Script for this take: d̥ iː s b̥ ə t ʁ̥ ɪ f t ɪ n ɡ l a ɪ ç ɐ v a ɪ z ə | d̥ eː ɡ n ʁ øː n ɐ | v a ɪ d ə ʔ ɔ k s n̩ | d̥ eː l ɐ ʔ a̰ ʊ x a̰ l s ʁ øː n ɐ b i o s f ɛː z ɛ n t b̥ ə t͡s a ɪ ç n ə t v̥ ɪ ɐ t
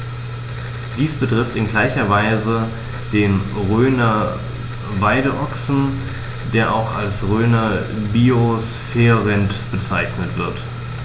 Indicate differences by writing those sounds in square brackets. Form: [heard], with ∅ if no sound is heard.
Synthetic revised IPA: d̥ iː s b̥ ə t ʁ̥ ɪ f t ɪ n ɡ l a ɪ ç ɐ v a ɪ z ə | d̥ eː [∅] n ʁ øː n ɐ | v a ɪ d ə ʔ ɔ k s n̩ | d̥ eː [∅] ɐ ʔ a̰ ʊ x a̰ l s ʁ øː n ɐ b i o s f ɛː [ʁ] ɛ n t b̥ ə t͡s a ɪ ç n ə t v̥ ɪ ɐ t